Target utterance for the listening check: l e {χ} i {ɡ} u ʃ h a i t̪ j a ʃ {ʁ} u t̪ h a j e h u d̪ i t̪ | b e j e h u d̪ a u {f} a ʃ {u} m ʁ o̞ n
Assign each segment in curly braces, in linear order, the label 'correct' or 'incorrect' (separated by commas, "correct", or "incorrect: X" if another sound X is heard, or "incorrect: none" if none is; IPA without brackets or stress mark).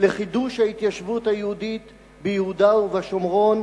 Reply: correct, incorrect: d, incorrect: v, incorrect: v, incorrect: o